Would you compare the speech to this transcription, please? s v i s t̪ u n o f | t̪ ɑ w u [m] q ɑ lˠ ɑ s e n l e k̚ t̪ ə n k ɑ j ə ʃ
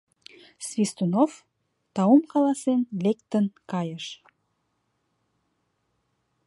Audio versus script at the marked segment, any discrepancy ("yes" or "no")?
no